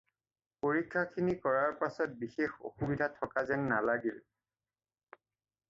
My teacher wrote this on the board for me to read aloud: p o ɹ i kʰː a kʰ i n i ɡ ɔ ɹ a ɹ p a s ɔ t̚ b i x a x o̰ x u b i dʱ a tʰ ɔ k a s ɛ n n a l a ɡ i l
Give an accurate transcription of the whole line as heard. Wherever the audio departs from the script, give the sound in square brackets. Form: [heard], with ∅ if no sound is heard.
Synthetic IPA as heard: p o ɹ i kʰː a kʰ i n i [k] ɔ ɹ a ɹ p a s ɔ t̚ b i x [e] x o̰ x u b i dʱ a tʰ ɔ k a [z] ɛ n n a l a ɡ i l

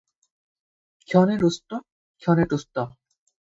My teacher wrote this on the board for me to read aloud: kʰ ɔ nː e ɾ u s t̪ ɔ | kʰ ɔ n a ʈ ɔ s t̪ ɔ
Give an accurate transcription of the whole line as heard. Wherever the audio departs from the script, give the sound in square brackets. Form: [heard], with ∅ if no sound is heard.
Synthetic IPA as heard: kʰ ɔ [n] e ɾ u s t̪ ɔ | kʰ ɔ n [e] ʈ [u] s t̪ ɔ

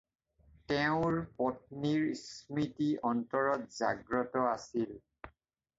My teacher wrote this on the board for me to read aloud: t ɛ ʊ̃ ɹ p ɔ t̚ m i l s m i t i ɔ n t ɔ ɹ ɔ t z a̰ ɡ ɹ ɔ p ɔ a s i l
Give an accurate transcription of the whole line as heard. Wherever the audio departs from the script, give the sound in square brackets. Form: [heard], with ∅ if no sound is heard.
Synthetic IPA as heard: t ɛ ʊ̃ ɹ p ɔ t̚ [n] i [ɹ] s m i t i ɔ n t ɔ ɹ ɔ t z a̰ ɡ ɹ ɔ [t] ɔ a s i l

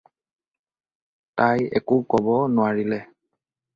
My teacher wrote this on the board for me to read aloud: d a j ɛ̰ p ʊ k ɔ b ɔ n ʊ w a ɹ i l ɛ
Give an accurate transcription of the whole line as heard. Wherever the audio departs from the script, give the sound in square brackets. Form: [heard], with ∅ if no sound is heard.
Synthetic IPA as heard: [t] a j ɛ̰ [k] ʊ k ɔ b ɔ n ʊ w a ɹ i l ɛ

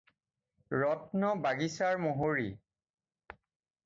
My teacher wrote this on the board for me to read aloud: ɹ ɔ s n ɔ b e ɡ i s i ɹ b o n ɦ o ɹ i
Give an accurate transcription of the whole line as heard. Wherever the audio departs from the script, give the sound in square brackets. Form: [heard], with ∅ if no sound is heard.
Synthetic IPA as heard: ɹ ɔ [t] n ɔ b [a] ɡ i s [a] ɹ [m] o [∅] ɦ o ɹ i

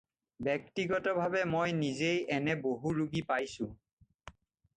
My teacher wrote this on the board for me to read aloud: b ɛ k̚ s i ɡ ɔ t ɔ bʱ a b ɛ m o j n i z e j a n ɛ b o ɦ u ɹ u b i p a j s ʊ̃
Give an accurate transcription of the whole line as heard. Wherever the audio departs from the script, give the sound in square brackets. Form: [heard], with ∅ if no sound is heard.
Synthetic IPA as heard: b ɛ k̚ [t] i ɡ ɔ t ɔ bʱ a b ɛ m o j n i z e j [ɛ] n ɛ b o ɦ u ɹ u [ɡ] i p a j s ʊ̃

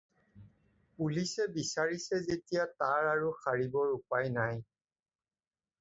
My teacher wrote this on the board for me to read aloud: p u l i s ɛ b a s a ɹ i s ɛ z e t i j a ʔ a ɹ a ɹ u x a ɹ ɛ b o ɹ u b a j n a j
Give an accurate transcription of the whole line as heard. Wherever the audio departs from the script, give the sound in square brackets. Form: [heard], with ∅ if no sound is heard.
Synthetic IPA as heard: p u l i s ɛ b [i] s a ɹ i s ɛ z e t i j a [t] a ɹ a ɹ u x a ɹ [i] b [ɔ] ɹ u [p] a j n a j

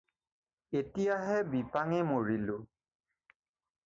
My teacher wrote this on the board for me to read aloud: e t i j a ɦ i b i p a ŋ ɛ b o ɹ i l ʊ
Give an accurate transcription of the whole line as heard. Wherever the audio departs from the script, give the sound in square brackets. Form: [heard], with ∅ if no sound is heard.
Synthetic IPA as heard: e t i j a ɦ [ɛ] b i p a ŋ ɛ [m] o ɹ i l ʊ

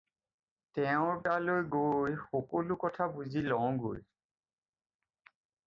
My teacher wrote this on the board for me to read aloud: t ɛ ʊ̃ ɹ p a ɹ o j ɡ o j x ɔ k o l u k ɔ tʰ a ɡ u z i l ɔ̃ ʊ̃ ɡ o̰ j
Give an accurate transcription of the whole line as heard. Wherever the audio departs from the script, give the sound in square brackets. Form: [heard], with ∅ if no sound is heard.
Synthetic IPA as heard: t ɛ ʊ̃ ɹ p a [l] o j ɡ o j x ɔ k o l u k ɔ tʰ a [b] u z i l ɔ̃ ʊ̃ ɡ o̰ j

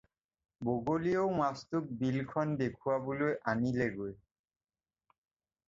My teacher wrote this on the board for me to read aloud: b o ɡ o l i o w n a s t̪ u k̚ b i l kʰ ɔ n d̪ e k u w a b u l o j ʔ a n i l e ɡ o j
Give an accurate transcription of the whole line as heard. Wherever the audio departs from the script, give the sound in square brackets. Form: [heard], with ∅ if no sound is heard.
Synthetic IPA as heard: b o ɡ o l i o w [m] a s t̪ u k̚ b i l kʰ ɔ n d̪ e [kʰ] u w a b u l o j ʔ a n i l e ɡ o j

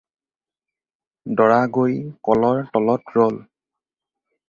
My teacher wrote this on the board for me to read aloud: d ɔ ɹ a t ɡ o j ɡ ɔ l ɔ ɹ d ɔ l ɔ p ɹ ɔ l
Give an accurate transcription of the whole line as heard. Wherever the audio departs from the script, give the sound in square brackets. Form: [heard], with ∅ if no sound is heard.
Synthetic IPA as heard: d ɔ ɹ a [∅] ɡ o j [k] ɔ l ɔ ɹ [t] ɔ l ɔ [t] ɹ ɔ l

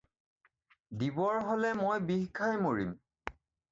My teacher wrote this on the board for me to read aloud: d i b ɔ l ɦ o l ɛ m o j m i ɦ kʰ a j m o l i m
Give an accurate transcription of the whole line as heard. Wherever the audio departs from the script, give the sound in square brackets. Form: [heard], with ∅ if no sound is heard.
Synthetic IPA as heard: d i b ɔ [ɹ] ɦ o l ɛ m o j [b] i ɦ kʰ a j m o [ɹ] i m

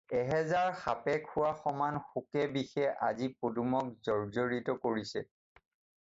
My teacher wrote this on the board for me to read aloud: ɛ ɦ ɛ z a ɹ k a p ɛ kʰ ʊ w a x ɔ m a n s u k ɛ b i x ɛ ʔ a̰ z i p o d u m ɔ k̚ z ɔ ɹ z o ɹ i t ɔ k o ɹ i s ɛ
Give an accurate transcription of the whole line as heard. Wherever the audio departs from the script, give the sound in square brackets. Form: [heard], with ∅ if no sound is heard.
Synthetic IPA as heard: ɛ ɦ ɛ z a ɹ [x] a p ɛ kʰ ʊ w a x ɔ m a n [x] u k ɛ b i x ɛ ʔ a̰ z i p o d u m ɔ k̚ z ɔ ɹ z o ɹ i t ɔ k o ɹ i s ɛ

